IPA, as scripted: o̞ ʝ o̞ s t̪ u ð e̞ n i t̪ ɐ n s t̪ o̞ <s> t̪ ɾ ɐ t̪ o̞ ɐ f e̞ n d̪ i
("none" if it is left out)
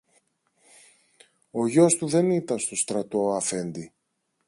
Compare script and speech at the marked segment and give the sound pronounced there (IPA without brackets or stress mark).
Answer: s